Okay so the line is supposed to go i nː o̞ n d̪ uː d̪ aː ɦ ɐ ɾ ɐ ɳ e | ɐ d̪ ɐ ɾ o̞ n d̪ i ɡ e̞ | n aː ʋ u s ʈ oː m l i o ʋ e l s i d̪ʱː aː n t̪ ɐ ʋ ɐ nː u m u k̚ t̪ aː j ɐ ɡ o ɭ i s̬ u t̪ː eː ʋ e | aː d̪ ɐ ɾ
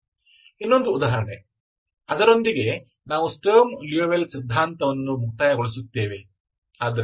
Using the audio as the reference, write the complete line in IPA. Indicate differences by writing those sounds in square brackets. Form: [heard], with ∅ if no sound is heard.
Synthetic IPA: i nː o̞ n d̪ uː d̪ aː ɦ ɐ ɾ ɐ ɳ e | ɐ d̪ ɐ ɾ o̞ n d̪ i ɡ e̞ | n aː ʋ u s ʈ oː m l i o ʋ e l s i d̪ʱː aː n t̪ ɐ ʋ ɐ nː u m u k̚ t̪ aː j ɐ ɡ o ɭ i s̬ u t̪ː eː ʋ e | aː d̪ ɐ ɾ